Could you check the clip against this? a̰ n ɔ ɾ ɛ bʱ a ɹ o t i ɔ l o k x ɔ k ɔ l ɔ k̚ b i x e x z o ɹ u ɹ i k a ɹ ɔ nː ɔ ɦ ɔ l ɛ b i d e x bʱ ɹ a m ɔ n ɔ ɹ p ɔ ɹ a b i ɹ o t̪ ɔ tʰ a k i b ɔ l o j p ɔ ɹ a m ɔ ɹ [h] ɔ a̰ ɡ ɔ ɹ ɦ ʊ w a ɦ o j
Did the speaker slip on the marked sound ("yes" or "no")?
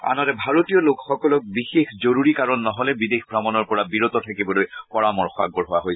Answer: yes